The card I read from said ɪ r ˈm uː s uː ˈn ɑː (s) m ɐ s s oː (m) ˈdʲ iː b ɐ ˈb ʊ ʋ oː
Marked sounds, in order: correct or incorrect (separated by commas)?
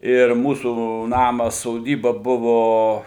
incorrect, incorrect